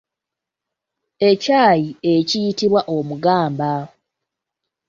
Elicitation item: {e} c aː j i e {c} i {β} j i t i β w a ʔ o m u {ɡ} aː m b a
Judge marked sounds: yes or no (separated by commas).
yes, yes, no, yes